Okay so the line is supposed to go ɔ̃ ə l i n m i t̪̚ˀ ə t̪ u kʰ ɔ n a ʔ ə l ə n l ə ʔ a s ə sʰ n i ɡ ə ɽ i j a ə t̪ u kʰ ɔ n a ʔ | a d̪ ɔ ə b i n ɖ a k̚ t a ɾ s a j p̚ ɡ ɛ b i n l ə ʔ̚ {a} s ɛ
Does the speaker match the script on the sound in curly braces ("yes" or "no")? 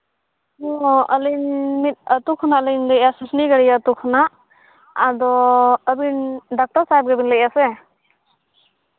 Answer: yes